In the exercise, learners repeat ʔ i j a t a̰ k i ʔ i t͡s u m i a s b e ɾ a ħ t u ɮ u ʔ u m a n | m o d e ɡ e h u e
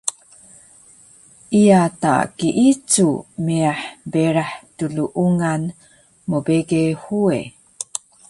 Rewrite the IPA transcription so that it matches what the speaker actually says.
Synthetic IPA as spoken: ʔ i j a t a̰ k i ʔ i t͡s u m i a ħ b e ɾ a ħ t u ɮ u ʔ u ŋ a n | m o b e ɡ e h u e